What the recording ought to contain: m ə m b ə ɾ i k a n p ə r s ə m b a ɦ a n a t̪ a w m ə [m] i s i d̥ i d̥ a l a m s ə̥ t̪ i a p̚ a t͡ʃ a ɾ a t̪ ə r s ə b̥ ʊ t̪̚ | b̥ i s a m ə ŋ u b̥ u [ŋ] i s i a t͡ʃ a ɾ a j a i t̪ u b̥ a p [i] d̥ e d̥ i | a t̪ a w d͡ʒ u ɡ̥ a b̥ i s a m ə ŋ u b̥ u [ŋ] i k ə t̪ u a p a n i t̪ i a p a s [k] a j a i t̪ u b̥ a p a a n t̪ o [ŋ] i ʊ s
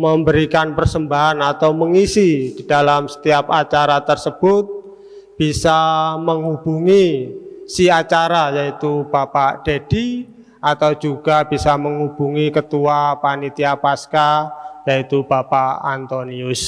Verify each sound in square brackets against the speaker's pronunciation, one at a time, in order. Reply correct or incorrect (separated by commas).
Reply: incorrect, correct, incorrect, correct, correct, incorrect